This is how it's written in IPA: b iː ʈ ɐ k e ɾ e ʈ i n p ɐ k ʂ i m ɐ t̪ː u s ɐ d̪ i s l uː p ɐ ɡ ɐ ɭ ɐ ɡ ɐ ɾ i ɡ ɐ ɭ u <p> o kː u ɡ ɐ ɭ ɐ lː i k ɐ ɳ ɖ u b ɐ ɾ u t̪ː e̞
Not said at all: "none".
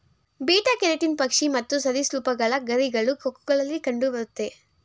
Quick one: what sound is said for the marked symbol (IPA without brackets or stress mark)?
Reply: k